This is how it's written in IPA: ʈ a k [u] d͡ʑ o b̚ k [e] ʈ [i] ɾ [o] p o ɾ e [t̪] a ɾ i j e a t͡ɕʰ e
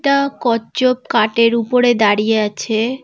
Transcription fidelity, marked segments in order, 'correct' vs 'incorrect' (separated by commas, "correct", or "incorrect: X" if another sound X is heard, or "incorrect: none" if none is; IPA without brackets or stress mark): incorrect: ɔ, incorrect: a, incorrect: e, incorrect: u, incorrect: d̪